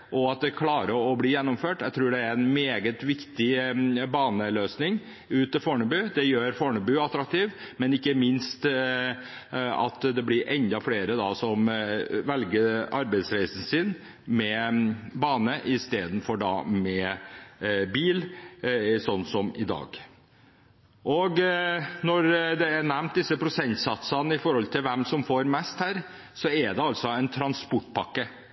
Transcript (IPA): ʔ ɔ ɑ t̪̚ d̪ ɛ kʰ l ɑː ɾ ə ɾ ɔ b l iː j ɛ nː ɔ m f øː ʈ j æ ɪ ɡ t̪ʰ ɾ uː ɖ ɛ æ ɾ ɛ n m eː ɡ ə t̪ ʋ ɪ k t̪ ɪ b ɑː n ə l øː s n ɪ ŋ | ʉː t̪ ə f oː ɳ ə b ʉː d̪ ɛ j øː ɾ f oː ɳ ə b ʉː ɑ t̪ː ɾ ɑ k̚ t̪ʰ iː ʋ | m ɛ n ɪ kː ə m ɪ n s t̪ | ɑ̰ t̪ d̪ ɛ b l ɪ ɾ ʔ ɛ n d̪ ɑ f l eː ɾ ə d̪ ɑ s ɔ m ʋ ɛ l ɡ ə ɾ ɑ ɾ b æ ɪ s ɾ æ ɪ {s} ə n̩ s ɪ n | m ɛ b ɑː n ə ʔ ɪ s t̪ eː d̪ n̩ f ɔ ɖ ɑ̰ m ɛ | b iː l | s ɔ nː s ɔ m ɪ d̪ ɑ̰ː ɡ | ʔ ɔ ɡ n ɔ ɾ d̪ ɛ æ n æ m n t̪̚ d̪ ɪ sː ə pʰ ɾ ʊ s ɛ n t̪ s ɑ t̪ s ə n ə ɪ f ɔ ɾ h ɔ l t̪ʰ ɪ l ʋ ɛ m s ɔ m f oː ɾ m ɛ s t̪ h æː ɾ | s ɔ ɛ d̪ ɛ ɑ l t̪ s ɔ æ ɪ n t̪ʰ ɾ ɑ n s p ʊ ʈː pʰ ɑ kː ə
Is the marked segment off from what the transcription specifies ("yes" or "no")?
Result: no